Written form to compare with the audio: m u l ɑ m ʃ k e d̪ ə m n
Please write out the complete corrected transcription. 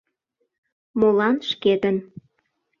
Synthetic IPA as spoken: m o l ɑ n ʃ k e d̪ ə n